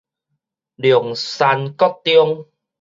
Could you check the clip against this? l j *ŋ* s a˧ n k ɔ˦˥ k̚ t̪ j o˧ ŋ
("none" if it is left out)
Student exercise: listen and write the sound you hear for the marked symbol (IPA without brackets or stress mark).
ŋ